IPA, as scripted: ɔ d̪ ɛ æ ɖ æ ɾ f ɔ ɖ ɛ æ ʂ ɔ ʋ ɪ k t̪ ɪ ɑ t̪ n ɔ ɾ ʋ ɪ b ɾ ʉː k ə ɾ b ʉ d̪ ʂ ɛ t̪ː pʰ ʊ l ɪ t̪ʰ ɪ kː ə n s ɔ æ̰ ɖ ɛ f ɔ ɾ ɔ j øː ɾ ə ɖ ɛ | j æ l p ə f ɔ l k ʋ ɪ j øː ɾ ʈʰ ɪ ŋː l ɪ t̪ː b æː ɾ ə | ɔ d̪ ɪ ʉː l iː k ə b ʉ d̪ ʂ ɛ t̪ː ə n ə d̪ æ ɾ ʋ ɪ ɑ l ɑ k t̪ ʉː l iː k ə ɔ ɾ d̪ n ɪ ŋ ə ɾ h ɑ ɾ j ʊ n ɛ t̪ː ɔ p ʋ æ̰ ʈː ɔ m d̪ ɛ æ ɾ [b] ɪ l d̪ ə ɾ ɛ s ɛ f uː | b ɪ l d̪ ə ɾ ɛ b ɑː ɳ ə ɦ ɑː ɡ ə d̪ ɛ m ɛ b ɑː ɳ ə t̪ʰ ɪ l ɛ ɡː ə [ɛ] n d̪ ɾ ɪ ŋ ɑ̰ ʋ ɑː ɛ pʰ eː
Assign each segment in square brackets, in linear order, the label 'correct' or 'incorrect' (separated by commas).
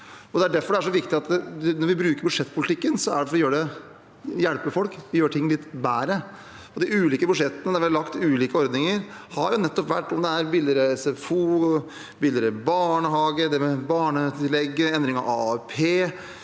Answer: correct, correct